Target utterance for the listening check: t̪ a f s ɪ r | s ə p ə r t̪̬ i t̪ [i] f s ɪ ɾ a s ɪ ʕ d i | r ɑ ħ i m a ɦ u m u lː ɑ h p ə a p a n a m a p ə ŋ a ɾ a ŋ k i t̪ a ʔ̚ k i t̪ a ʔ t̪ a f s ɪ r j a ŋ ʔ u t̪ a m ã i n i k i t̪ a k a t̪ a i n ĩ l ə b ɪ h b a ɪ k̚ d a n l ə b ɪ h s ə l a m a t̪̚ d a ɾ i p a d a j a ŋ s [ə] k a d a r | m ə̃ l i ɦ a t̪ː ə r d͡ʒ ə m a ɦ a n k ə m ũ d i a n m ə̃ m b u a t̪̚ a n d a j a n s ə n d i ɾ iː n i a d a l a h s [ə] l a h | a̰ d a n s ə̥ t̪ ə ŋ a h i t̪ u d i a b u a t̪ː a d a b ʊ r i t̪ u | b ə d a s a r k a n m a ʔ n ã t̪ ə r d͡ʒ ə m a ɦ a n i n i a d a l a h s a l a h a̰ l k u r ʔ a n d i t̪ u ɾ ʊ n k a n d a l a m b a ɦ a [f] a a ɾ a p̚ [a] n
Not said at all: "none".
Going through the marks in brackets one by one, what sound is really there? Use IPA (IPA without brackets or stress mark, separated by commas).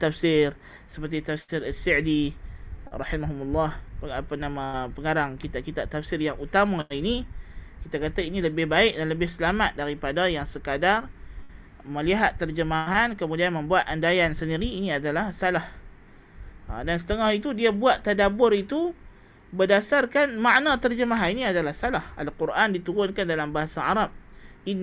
a, ə, a, s, i